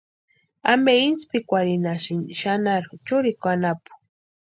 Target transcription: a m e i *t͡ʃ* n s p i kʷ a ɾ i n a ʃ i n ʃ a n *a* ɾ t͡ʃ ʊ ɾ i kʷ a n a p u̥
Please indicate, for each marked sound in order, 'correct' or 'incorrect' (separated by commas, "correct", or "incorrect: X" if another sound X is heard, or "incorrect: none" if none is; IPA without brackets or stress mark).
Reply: incorrect: none, correct